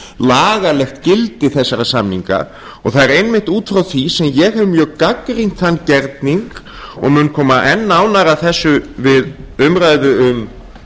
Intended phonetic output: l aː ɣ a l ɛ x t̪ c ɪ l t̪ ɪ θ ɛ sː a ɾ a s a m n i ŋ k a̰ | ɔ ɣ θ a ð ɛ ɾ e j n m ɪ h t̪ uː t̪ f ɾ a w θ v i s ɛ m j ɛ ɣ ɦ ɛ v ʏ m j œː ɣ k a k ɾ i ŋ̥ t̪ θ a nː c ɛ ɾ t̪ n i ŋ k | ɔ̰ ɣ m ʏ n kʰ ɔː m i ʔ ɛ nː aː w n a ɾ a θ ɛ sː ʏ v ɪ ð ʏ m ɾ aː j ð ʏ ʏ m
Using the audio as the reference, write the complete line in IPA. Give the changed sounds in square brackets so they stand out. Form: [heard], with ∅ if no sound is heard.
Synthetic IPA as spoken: l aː ɣ a l ɛ x t̪ c ɪ l t̪ ɪ θ ɛ sː a ɾ a s a m n i ŋ k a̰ | ɔ ɣ θ a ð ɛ ɾ e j n m ɪ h t̪ uː t̪ f ɾ a w θ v i s ɛ m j ɛ ɣ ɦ ɛ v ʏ m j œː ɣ k a k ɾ i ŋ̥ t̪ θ a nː c ɛ ɾ t̪ n i ŋ k | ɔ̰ ɣ m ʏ n kʰ ɔː m [a] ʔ ɛ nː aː w n a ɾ a θ ɛ sː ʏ v ɪ ð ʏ m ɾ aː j ð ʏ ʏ m